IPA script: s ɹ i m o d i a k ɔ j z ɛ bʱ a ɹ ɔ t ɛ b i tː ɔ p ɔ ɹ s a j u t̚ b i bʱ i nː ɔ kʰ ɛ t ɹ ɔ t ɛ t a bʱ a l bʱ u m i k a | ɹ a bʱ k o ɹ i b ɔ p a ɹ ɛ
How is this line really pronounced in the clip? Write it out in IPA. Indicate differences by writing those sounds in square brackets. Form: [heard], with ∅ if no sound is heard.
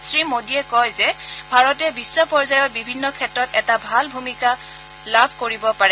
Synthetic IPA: s ɹ i m o d i [ɛ] k ɔ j z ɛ bʱ a ɹ ɔ t ɛ b i [sː] ɔ p ɔ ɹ [z] a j [ɔ] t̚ b i bʱ i nː ɔ kʰ ɛ t ɹ ɔ t ɛ t a bʱ a l bʱ u m i k a | [l] a bʱ k o ɹ i b ɔ p a ɹ ɛ